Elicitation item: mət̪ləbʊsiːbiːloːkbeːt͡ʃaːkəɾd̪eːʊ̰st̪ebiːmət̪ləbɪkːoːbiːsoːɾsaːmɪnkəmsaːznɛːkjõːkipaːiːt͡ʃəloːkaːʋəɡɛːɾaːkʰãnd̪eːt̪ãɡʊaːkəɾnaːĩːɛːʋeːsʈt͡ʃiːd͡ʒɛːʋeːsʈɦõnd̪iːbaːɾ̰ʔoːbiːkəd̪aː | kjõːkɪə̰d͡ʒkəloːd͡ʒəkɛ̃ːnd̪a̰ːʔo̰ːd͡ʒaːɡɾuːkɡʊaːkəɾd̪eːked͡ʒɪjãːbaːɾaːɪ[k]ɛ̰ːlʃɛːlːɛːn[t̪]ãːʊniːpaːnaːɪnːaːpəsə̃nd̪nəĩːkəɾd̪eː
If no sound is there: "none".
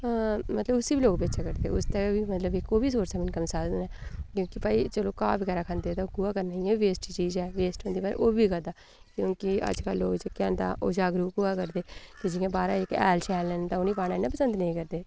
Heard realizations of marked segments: k, t̪

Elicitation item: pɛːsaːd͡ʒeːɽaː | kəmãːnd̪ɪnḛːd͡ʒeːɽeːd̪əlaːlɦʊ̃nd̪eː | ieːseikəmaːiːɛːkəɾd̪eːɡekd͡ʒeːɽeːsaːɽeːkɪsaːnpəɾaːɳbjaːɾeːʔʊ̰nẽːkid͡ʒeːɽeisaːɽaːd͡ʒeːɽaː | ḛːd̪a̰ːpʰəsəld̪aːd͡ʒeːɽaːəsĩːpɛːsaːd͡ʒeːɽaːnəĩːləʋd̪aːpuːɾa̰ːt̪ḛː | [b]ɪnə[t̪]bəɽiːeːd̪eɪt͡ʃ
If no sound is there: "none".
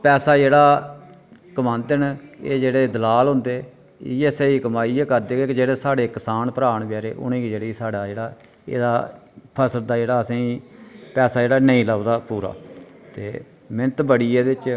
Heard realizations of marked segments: m, t̪

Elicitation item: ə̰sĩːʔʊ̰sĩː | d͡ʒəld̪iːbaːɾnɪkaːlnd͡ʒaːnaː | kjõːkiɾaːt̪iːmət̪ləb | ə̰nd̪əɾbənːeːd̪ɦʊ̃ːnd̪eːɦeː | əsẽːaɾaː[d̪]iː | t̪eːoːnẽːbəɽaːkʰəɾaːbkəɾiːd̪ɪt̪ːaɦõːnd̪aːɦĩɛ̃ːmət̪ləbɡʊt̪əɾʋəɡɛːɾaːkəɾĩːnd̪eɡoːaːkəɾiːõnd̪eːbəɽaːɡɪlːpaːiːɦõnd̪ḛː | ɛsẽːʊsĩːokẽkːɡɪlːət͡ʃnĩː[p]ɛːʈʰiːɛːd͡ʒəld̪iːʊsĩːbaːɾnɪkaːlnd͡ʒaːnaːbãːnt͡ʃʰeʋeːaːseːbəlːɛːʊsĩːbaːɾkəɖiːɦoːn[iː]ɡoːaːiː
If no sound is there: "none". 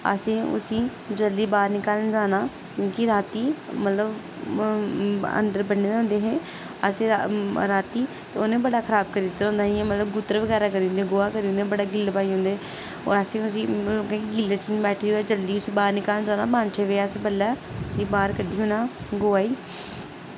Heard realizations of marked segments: t̪, b, aː

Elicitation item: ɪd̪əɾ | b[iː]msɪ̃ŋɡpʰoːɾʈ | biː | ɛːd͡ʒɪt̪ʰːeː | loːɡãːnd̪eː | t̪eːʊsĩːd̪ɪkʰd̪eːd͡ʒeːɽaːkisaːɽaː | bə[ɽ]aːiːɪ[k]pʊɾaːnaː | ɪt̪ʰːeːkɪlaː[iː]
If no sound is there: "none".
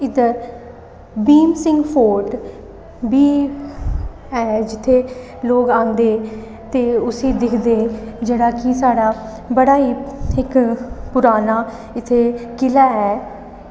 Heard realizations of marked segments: iː, ɽ, k, ɛː

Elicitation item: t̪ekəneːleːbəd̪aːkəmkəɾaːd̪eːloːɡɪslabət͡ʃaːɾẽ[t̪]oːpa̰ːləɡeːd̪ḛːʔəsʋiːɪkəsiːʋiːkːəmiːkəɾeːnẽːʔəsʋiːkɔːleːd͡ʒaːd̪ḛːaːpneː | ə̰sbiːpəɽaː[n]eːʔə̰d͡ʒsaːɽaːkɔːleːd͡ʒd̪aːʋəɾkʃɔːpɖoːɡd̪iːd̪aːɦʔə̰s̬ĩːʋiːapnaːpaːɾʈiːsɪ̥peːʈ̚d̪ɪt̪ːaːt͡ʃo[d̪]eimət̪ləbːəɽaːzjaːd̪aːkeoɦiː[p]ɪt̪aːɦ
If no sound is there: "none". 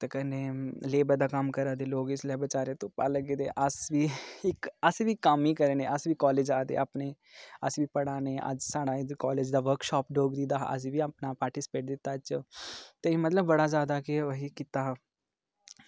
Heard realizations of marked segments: t̪, n, t̪, k

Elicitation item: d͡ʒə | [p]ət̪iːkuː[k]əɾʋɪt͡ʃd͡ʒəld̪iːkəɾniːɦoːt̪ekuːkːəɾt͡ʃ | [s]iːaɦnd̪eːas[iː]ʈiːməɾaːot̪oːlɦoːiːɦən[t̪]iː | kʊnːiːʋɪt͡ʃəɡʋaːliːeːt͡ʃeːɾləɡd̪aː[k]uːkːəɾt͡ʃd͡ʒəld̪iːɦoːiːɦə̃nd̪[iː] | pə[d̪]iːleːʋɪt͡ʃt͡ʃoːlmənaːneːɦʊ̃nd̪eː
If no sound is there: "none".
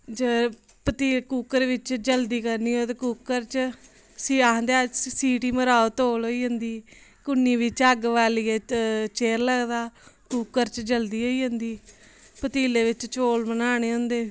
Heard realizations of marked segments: p, k, s, iː, d̪, k, iː, t̪

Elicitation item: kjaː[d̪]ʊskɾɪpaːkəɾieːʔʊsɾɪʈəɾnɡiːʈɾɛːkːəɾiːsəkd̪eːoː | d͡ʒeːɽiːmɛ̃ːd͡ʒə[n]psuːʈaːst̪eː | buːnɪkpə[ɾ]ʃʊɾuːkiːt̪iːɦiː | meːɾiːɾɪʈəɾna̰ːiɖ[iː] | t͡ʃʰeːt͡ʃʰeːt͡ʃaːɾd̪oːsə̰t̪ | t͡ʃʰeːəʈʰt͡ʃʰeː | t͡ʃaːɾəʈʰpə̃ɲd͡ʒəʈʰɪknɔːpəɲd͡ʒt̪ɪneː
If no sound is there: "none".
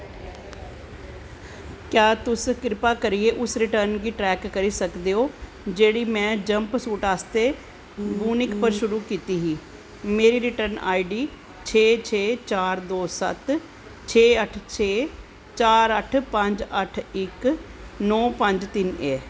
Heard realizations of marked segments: t̪, m, ɾ, iː

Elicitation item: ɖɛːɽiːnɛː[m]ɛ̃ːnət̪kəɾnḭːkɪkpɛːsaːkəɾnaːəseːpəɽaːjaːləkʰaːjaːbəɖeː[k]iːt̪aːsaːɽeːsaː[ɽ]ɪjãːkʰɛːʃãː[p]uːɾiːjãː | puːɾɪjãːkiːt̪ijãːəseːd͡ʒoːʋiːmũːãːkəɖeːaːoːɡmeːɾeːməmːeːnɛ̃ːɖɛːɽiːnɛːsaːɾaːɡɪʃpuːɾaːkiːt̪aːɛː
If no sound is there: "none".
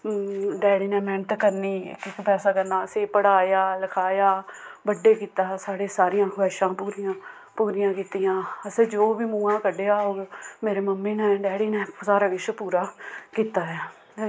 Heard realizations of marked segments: m, k, ɾ, p

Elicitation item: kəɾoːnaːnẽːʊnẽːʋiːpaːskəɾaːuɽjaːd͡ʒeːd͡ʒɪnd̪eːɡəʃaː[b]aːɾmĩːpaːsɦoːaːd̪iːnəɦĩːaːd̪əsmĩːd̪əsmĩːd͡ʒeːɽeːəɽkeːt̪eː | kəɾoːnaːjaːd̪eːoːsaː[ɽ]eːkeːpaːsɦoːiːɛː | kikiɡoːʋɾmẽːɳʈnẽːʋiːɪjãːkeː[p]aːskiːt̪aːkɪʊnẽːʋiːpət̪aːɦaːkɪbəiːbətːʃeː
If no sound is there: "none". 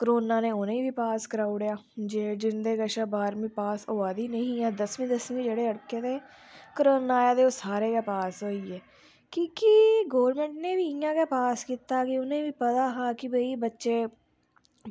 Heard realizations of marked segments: b, ɾ, p

